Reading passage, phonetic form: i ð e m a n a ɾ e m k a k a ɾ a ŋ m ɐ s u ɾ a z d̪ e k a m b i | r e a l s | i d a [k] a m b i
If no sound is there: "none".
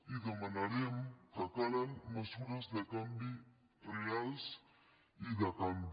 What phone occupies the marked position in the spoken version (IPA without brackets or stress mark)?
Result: k